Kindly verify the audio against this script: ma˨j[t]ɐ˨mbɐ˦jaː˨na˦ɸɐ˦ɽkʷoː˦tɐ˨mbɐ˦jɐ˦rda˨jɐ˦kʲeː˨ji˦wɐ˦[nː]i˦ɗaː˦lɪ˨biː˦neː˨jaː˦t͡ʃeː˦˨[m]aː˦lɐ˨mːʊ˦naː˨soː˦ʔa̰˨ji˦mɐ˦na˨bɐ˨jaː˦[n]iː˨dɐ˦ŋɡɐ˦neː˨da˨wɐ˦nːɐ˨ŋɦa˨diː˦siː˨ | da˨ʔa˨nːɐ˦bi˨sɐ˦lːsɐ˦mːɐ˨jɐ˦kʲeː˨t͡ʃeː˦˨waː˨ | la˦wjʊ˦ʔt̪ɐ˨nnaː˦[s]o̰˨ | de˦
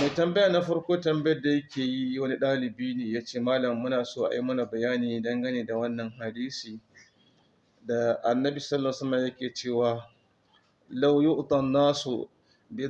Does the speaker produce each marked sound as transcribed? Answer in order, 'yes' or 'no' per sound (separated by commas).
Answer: yes, no, yes, yes, yes